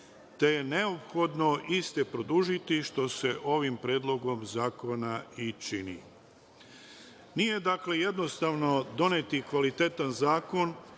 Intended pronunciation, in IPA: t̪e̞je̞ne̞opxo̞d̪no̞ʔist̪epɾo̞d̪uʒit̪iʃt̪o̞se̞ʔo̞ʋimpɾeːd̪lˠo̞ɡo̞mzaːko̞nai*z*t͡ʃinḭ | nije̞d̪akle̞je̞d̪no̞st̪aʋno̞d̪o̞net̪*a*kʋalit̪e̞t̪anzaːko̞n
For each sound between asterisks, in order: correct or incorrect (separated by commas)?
incorrect, incorrect